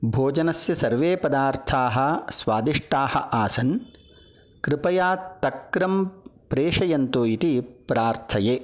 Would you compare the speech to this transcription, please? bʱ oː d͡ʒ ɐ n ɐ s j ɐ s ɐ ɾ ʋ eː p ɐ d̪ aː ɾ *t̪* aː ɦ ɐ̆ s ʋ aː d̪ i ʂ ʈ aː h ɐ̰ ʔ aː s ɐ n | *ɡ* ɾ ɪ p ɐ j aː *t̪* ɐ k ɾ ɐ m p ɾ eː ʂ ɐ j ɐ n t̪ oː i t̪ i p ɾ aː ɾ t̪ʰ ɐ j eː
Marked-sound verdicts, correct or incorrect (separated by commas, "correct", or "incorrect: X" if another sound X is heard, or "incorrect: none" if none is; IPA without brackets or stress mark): incorrect: t̪ʰ, incorrect: k, correct